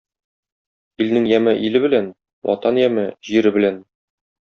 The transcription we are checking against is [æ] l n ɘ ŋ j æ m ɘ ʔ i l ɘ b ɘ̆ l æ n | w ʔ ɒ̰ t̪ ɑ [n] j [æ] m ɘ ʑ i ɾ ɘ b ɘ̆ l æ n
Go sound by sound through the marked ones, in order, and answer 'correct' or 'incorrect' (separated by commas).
incorrect, correct, correct